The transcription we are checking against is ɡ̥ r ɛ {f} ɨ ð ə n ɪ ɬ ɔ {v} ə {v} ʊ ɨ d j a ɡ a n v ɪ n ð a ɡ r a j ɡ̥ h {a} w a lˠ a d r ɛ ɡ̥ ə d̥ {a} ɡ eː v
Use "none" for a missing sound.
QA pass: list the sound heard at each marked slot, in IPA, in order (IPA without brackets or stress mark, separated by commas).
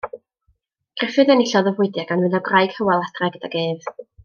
f, ð, v, ə, a